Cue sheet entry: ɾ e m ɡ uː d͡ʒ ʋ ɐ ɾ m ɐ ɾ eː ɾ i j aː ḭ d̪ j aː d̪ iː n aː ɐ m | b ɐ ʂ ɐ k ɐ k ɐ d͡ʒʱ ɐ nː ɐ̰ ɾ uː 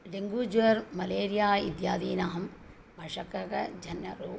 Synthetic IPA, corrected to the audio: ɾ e ŋ ɡ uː d͡ʒ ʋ ɐ ɾ m ɐ l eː ɾ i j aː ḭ d̪ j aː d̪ iː n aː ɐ m | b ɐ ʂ ɐ k ɐ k ɐ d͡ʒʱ ɐ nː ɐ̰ ɾ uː